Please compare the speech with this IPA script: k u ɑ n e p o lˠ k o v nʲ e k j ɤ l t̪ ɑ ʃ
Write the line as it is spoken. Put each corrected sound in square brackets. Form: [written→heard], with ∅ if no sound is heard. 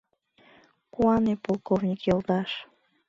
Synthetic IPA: k u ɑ n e p o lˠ k o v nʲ [e→i] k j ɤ l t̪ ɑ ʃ